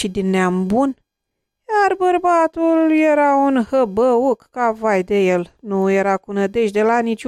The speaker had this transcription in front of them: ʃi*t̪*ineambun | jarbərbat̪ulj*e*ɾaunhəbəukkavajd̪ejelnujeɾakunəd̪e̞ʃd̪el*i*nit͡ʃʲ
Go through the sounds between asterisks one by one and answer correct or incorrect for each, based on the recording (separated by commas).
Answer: incorrect, correct, incorrect